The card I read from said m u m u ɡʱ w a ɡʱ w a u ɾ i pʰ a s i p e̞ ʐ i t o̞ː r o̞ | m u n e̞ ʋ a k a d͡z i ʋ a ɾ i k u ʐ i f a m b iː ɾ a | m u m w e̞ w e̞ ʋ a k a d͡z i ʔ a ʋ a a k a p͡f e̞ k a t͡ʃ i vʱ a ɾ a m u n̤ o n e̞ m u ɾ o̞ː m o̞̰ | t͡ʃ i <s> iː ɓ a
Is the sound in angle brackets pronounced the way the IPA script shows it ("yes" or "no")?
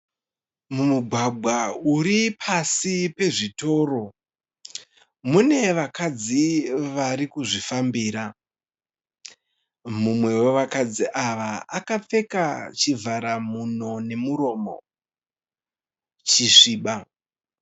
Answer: no